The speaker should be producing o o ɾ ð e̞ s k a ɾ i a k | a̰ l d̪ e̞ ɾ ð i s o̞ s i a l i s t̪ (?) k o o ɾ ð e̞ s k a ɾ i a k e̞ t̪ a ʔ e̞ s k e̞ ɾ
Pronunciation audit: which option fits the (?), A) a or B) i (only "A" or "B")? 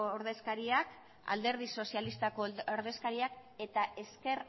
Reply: A